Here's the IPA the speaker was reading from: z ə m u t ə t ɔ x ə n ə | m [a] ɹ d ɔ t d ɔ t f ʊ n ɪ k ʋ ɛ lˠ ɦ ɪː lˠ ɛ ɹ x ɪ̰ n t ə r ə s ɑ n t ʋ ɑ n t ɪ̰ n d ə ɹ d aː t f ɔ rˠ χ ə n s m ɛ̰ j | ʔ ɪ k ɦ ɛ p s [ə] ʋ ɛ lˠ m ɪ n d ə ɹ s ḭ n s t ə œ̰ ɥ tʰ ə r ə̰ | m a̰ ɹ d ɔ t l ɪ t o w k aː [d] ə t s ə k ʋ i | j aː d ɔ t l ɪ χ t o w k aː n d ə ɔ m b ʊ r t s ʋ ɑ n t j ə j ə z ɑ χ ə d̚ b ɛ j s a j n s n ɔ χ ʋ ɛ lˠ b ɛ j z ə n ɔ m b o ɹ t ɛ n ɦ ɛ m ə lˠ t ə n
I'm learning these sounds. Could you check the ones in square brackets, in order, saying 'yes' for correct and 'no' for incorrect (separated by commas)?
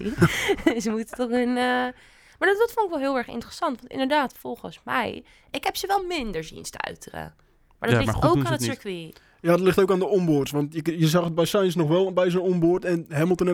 yes, yes, no